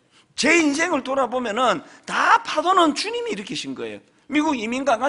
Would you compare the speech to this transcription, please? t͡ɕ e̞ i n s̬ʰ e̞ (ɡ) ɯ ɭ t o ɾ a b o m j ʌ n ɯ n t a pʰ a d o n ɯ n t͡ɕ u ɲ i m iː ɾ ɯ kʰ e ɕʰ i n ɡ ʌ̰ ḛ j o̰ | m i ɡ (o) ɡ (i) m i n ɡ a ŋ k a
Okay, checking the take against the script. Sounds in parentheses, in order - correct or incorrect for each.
incorrect, incorrect, correct

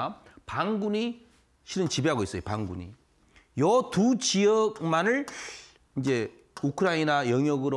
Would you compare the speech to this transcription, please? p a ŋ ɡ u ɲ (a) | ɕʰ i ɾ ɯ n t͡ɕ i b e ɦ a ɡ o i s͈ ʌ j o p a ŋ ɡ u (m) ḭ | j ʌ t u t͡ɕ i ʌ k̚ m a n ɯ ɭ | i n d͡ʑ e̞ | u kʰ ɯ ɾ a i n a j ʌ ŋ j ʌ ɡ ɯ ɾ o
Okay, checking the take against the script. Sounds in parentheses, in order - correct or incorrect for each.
incorrect, incorrect

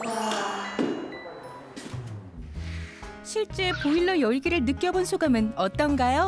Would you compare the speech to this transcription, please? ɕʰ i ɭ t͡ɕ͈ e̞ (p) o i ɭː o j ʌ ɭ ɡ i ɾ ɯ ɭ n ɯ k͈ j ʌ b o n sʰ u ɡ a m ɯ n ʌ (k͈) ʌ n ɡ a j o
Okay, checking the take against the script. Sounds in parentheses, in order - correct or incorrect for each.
correct, incorrect

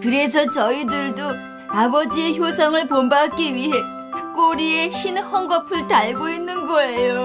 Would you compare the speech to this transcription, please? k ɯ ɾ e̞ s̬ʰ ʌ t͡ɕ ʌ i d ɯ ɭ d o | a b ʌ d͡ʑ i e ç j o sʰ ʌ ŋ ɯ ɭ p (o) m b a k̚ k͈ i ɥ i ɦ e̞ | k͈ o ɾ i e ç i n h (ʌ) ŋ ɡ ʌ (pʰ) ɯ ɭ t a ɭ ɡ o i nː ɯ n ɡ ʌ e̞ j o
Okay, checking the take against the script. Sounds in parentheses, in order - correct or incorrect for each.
correct, correct, correct

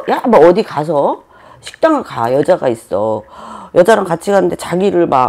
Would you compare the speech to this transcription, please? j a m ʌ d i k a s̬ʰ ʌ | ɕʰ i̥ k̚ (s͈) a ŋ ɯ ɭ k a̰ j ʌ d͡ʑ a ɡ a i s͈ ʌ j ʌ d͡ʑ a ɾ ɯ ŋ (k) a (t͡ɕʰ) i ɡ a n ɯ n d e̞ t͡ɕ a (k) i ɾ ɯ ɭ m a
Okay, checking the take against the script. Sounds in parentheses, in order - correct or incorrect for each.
incorrect, correct, correct, incorrect

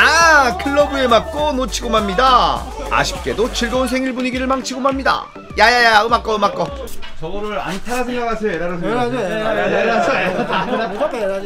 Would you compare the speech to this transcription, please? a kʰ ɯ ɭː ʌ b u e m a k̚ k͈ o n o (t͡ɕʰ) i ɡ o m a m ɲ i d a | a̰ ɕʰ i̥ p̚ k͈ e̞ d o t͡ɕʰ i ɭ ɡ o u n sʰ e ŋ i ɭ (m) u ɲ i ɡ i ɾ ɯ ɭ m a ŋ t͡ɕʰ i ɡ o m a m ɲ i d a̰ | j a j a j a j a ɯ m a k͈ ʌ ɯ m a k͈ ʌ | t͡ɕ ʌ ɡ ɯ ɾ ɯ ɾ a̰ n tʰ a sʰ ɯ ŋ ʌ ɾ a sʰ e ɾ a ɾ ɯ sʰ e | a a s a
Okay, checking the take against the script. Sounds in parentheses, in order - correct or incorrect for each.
correct, incorrect

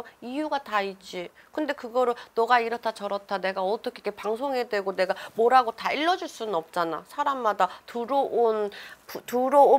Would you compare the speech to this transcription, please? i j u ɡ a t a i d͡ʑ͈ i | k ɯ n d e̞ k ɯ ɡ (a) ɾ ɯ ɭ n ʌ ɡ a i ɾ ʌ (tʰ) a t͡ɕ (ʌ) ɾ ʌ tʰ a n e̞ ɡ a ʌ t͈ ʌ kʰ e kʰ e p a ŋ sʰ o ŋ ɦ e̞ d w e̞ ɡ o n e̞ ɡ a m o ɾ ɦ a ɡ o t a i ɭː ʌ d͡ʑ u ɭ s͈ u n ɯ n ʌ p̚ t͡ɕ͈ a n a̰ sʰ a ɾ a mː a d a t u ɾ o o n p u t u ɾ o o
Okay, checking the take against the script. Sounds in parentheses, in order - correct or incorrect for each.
incorrect, correct, correct

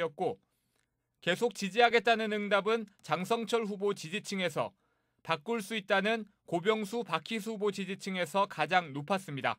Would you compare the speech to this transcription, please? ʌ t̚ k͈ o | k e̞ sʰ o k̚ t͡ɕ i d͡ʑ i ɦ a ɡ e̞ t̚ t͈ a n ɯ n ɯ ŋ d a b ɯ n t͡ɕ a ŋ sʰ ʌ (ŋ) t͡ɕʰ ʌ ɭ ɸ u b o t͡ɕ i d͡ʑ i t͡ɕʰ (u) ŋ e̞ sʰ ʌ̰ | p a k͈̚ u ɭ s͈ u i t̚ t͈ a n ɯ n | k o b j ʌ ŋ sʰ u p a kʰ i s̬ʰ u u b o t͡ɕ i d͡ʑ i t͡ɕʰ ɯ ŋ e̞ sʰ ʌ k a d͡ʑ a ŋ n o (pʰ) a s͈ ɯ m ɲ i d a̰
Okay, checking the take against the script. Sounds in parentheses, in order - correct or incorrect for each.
correct, incorrect, correct

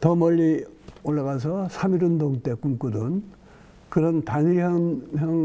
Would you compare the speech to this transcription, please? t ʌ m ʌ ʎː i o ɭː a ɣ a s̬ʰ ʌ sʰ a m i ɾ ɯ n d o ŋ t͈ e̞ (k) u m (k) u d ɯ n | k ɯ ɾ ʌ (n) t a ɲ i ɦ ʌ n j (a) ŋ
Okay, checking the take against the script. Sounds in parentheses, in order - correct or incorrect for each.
correct, correct, correct, incorrect

